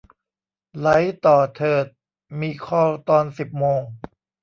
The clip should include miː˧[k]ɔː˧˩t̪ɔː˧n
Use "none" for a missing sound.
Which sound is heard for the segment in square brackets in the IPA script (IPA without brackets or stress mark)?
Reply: kʰ